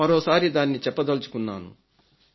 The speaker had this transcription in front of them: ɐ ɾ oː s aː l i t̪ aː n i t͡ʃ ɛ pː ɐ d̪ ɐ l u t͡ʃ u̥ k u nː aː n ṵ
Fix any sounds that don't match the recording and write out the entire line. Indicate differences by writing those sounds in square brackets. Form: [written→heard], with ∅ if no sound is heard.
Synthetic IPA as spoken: ɐ ɾ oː s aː [l→ɾ] i [t̪→d̪] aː [n→nː] i t͡ʃ ɛ pː ɐ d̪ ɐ l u t͡ʃ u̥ k u nː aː n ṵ

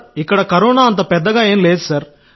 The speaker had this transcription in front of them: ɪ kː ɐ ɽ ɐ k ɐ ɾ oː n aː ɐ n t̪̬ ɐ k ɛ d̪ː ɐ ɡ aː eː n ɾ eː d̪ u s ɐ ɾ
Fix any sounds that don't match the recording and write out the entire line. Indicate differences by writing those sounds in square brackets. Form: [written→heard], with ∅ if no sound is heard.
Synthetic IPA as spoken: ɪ kː ɐ ɽ ɐ k ɐ ɾ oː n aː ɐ n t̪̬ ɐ [k→p] ɛ d̪ː ɐ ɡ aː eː n [ɾ→l] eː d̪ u s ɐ ɾ

